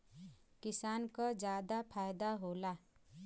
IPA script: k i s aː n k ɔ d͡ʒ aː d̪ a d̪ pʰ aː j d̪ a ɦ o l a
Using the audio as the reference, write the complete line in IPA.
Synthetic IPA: k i s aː n k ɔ d͡ʒ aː d̪ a pʰ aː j d̪ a ɦ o l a